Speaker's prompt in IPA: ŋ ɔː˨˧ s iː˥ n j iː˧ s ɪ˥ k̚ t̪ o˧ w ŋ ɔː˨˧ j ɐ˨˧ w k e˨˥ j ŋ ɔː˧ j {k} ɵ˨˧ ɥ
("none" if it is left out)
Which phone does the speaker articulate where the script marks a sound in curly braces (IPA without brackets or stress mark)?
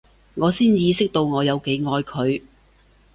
kʰ